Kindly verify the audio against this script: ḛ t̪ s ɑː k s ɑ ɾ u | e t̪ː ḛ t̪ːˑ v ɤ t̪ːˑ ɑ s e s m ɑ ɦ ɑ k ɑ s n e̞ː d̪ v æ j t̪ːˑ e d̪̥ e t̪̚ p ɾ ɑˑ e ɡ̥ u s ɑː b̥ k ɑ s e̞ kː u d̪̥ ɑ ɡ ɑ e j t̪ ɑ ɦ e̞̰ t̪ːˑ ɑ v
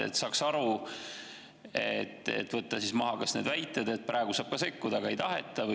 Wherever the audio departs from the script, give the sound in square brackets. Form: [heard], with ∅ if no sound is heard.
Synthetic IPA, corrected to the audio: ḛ t̪ s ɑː k s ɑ ɾ u | e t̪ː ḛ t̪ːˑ v ɤ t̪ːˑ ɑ s [i] s m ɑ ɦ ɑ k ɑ s n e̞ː d̪ v æ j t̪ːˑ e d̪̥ e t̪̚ p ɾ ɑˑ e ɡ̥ u s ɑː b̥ k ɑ s e̞ kː u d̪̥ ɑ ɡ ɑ e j t̪ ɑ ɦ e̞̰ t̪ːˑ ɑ v